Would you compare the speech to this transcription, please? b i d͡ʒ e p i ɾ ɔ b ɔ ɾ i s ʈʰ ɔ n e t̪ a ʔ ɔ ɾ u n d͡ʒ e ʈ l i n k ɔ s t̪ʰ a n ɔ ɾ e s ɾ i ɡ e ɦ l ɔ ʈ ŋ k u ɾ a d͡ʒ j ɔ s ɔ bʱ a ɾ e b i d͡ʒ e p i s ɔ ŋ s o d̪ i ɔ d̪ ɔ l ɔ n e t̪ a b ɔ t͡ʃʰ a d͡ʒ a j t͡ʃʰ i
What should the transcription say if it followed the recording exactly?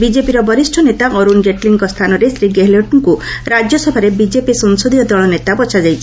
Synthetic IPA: b i d͡ʒ e p i ɾ ɔ b ɔ ɾ i s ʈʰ ɔ n e t̪ a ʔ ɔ ɾ u n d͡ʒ e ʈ l i ŋ k ɔ s t̪ʰ a n ɔ ɾ e s ɾ i ɡ e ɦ l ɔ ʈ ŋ k u ɾ a d͡ʒ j ɔ s ɔ bʱ a ɾ e b i d͡ʒ e p i s ɔ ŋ s o d̪ i ɔ d̪ ɔ ɭ ɔ n e t̪ a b ɔ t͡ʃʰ a d͡ʒ a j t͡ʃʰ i